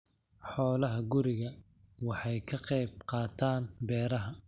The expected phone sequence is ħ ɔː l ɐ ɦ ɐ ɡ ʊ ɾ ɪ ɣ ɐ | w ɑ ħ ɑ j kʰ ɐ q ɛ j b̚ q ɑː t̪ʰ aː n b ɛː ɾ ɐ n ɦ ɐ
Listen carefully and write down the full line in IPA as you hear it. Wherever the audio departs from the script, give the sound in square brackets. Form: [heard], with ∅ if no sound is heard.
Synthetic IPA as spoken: ħ ɔː l ɐ ɦ ɐ ɡ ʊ ɾ ɪ ɣ ɐ | w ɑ ħ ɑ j kʰ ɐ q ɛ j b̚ q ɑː t̪ʰ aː n b ɛː ɾ ɐ [∅] ɦ ɐ